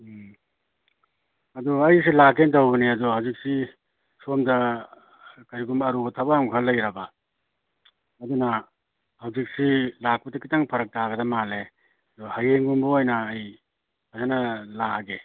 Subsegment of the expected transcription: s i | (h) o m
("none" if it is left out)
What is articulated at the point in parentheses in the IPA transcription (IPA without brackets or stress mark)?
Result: s